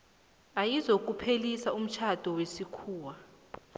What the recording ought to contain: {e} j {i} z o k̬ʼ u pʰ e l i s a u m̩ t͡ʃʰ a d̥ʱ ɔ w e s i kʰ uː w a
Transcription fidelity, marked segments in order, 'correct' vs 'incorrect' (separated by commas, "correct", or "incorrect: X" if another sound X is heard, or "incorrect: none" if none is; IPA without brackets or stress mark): incorrect: a, correct